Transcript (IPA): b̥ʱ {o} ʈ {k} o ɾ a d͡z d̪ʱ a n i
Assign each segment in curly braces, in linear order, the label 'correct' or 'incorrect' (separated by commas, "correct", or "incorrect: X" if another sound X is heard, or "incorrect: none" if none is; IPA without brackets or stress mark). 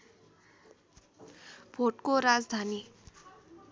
correct, correct